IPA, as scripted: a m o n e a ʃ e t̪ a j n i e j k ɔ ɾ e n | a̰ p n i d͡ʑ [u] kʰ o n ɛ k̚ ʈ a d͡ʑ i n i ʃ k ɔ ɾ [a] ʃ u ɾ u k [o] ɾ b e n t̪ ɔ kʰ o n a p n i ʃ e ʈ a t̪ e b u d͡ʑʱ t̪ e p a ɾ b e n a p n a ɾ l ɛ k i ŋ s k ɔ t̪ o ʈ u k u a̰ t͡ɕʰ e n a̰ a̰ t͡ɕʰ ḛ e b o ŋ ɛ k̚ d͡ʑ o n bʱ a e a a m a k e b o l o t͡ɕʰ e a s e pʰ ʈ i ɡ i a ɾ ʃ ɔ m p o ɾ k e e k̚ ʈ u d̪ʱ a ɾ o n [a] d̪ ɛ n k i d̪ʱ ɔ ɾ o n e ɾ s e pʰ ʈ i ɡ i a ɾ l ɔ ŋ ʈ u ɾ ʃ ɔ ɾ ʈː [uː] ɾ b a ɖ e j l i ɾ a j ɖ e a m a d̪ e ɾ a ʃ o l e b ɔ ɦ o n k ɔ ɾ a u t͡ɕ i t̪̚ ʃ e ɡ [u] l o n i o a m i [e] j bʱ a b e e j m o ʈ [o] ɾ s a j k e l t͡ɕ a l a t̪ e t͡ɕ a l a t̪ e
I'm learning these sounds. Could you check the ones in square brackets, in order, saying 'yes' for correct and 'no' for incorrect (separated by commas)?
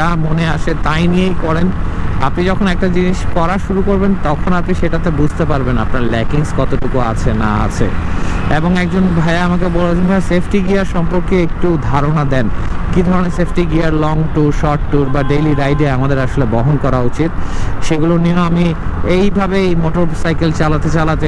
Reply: no, yes, yes, yes, no, yes, yes, yes